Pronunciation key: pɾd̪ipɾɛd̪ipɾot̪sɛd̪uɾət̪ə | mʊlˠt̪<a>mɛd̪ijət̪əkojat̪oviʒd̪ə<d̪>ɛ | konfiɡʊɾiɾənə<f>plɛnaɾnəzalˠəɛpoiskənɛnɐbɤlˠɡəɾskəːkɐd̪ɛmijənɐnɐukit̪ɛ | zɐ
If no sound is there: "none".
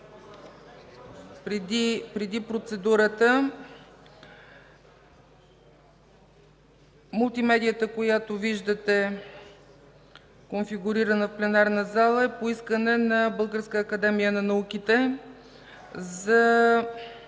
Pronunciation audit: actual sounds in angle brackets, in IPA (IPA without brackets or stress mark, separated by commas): i, t̪, f